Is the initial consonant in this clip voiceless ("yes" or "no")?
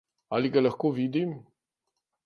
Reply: no